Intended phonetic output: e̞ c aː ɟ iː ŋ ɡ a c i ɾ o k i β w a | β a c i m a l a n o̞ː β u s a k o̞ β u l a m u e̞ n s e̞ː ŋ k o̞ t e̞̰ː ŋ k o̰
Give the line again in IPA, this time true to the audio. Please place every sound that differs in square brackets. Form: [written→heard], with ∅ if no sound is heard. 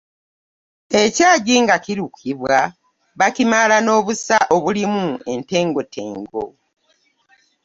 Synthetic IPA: e̞ c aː ɟ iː ŋ ɡ a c i ɾ [o→u] k i β w a | β a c i m a l a n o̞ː β u s a [k→ʔ] o̞ β u l [a→i] m u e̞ n [s→t] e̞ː ŋ [k→ɡ] o̞ t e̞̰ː ŋ [k→ɡ] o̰